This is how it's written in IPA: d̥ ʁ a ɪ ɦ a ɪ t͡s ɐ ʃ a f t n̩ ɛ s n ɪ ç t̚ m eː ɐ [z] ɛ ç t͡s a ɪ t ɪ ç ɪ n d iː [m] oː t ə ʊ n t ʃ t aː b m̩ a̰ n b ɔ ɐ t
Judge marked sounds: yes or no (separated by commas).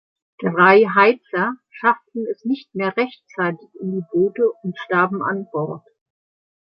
no, no